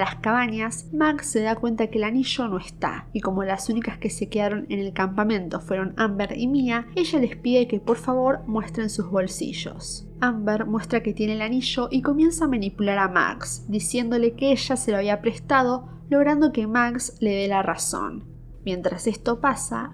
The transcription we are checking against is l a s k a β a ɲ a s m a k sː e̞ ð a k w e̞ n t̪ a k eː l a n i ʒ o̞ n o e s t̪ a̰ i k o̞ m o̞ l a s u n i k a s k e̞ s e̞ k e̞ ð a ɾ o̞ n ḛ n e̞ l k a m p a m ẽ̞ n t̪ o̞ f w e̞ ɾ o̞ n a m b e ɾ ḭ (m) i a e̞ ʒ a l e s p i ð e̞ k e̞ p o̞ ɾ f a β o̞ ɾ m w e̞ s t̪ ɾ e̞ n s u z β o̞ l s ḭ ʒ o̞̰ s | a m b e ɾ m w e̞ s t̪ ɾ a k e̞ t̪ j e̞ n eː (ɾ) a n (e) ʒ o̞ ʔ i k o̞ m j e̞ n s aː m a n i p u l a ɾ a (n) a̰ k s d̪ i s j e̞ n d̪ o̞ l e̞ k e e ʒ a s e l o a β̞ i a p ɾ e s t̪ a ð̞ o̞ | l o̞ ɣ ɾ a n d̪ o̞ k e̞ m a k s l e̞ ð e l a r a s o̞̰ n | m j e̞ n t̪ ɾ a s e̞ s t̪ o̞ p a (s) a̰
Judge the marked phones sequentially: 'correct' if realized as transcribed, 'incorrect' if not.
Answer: correct, incorrect: l, incorrect: i, incorrect: m, correct

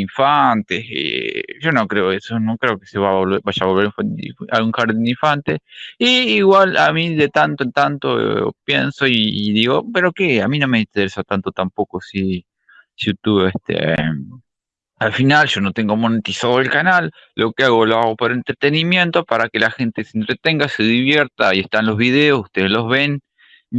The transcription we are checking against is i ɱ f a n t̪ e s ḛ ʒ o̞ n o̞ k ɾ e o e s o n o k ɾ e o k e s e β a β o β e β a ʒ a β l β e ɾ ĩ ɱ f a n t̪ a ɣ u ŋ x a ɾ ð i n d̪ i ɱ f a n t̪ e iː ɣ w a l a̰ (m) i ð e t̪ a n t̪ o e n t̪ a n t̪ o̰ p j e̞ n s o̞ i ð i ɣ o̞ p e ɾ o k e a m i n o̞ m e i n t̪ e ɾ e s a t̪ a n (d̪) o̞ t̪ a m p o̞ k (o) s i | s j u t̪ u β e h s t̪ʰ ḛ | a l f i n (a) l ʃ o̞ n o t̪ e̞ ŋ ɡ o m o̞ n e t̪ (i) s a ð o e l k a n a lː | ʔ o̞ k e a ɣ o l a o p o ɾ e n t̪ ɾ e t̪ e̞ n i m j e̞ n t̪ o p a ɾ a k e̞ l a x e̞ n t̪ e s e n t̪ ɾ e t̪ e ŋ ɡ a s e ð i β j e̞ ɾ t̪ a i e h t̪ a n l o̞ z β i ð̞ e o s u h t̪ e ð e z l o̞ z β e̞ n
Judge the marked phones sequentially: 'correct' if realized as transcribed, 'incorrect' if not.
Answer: correct, incorrect: t̪, correct, correct, correct

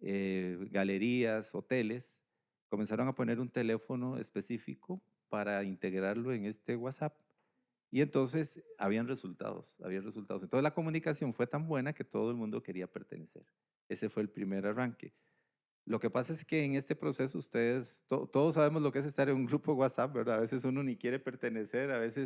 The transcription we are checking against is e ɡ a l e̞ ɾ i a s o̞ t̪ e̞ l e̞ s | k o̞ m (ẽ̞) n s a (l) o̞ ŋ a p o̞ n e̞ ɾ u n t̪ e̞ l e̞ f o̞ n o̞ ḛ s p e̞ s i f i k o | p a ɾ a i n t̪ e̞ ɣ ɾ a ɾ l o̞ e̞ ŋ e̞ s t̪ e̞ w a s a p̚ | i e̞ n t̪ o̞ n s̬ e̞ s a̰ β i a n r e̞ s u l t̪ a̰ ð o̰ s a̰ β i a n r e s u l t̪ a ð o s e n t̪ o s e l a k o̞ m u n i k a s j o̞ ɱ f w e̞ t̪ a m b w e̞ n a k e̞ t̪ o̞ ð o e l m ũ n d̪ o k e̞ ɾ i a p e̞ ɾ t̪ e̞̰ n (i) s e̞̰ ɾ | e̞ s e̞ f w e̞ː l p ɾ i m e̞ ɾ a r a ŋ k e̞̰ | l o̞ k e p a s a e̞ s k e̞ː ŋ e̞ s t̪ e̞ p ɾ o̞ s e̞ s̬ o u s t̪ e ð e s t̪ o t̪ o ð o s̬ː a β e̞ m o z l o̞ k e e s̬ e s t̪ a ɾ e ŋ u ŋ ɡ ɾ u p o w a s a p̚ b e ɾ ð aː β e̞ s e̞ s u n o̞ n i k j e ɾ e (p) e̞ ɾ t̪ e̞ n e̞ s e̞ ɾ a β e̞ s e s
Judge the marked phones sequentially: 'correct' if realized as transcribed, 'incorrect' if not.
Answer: incorrect: e̞, incorrect: ɾ, incorrect: e, correct

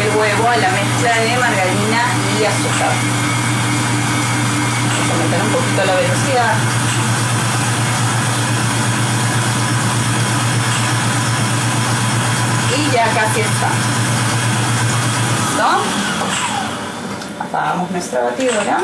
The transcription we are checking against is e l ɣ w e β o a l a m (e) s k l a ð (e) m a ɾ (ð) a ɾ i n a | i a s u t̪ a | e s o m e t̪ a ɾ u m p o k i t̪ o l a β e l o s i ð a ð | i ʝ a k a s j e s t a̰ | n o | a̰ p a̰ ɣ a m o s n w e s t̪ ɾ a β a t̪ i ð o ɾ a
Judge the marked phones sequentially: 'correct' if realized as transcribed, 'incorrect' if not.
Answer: correct, correct, incorrect: ɣ

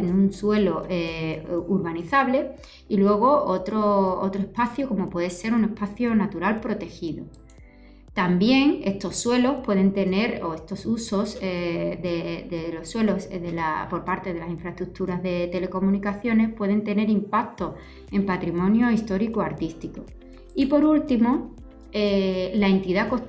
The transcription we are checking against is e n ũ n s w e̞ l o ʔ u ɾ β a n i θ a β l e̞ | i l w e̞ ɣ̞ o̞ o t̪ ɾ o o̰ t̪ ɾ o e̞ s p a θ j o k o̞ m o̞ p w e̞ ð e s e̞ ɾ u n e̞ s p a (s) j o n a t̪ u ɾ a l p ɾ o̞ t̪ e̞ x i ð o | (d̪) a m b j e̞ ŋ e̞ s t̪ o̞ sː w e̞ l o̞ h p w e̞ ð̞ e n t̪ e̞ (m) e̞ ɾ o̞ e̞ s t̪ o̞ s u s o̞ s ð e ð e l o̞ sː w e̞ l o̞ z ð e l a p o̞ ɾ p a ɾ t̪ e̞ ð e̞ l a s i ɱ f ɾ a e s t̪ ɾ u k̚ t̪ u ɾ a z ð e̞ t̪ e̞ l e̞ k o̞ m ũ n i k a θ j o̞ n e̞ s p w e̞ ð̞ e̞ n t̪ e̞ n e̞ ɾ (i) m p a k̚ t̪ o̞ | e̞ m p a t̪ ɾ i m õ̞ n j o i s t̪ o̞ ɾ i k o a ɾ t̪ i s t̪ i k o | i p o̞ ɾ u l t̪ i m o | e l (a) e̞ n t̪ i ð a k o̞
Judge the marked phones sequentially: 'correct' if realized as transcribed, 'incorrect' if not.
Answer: incorrect: θ, incorrect: t̪, incorrect: n, correct, correct

